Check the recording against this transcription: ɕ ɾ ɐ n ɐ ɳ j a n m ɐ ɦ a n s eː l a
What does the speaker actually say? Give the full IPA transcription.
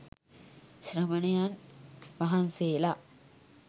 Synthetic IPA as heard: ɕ ɾ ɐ m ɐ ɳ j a n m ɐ ɦ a n s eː l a